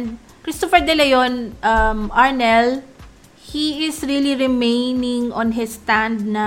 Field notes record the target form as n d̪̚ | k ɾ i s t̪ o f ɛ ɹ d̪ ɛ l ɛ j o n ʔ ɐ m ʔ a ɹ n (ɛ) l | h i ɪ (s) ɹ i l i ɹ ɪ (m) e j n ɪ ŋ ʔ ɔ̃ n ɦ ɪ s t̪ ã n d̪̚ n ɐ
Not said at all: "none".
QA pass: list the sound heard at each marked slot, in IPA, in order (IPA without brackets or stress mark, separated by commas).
ɛ, s, m